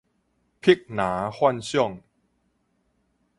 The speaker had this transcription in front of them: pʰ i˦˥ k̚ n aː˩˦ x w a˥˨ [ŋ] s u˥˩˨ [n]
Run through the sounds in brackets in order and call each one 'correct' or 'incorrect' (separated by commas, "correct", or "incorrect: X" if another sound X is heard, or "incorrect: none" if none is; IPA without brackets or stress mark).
incorrect: n, incorrect: ŋ